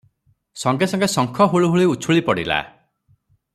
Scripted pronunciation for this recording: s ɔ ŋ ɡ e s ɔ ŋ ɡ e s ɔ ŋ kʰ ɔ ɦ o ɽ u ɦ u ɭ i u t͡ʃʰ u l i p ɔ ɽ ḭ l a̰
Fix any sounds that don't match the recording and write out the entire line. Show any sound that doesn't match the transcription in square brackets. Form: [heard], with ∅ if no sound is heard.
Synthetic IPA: s ɔ ŋ ɡ e s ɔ ŋ ɡ e s ɔ ŋ kʰ ɔ ɦ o [ɭ] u ɦ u ɭ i u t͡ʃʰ u [ɭ] i p ɔ ɽ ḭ l a̰